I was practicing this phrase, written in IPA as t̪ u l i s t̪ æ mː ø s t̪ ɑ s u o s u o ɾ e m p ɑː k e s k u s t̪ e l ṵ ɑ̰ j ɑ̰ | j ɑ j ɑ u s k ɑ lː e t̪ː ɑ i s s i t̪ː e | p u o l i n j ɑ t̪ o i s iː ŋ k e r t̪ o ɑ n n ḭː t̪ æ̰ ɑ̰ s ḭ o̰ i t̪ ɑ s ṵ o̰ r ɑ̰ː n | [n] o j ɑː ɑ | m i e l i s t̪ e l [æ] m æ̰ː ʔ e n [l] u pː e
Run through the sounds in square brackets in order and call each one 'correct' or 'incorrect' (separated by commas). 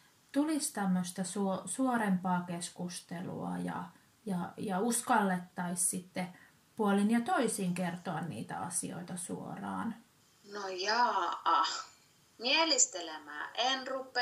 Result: correct, incorrect, incorrect